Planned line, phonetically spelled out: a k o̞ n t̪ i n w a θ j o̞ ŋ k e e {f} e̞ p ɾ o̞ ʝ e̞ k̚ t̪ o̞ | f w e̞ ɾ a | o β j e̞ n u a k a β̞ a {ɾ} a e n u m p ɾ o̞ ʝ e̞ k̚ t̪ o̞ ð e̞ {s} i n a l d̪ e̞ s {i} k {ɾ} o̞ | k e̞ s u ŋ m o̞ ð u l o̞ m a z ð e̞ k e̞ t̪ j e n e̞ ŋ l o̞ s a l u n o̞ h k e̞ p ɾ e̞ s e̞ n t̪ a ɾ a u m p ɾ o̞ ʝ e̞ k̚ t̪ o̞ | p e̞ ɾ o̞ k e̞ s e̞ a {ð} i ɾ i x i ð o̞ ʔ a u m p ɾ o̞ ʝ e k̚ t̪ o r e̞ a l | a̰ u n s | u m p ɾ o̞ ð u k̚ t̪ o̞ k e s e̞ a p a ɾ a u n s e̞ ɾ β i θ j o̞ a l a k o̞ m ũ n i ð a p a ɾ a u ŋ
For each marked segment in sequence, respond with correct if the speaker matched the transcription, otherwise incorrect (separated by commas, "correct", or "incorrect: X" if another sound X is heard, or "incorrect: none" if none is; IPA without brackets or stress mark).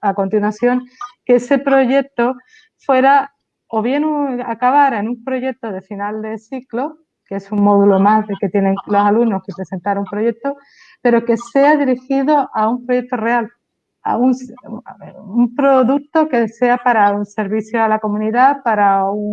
incorrect: s, correct, incorrect: f, correct, incorrect: l, correct